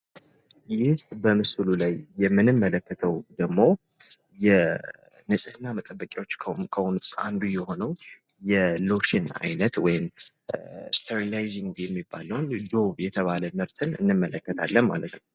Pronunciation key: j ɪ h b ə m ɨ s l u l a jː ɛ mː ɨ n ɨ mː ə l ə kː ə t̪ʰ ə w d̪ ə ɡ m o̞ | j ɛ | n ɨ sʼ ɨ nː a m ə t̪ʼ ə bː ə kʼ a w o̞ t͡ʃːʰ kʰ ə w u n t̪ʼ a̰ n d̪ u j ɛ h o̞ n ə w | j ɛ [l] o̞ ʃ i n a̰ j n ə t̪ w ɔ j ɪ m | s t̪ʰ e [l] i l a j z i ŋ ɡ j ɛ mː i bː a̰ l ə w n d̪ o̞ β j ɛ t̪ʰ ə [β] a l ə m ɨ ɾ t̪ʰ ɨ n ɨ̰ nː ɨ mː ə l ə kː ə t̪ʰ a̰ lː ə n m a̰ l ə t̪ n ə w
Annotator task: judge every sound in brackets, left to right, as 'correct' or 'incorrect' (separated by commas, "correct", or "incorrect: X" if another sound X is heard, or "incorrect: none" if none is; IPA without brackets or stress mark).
correct, incorrect: ɾ, correct